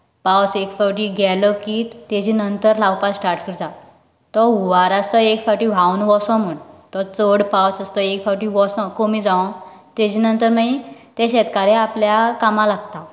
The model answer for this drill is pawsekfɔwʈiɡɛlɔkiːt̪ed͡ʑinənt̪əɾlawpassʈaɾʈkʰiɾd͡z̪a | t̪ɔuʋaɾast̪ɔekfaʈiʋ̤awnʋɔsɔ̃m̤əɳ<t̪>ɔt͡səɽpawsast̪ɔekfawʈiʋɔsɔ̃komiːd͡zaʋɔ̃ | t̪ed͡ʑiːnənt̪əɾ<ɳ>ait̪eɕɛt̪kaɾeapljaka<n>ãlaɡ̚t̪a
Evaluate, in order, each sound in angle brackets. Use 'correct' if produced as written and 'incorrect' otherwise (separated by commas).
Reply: correct, incorrect, incorrect